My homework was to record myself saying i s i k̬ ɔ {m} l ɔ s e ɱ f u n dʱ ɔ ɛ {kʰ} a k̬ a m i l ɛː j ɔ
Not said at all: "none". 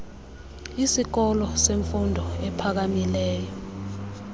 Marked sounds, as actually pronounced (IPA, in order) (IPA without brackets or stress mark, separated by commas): none, pʰ